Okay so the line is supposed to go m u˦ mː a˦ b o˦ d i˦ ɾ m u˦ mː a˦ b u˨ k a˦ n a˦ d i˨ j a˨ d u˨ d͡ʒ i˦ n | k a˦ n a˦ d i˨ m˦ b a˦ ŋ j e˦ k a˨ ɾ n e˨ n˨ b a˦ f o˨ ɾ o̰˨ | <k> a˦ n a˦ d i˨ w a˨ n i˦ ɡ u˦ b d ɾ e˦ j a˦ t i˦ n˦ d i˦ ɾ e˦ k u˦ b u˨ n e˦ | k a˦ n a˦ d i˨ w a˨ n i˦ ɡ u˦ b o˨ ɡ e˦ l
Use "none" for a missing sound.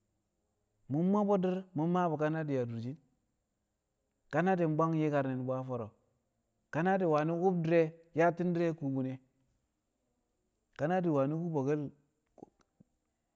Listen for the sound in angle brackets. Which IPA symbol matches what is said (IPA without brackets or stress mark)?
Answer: k